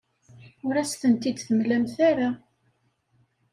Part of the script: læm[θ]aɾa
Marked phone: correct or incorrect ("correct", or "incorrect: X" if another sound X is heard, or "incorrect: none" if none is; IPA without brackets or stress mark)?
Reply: correct